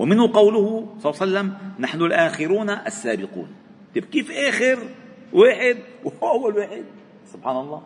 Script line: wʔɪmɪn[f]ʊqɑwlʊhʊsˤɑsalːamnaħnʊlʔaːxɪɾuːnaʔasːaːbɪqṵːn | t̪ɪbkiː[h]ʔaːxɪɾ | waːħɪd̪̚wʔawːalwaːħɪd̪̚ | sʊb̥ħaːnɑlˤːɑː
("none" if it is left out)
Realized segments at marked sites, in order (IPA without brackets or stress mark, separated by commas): h, f